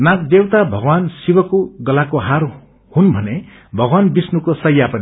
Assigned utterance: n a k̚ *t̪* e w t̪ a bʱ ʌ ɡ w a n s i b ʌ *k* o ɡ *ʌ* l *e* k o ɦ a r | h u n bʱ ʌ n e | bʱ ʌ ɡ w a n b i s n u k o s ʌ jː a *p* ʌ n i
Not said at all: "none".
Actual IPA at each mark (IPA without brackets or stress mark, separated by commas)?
d̪, k, ʌ, a, p